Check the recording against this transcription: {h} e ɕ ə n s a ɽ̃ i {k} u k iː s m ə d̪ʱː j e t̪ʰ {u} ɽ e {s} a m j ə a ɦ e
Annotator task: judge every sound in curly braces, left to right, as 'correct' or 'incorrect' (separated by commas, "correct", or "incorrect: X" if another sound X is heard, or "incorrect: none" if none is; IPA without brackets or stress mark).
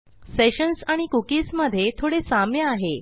incorrect: s, correct, incorrect: o, correct